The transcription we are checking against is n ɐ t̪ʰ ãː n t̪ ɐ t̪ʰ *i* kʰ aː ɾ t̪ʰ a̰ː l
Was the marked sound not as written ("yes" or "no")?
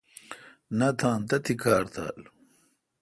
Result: no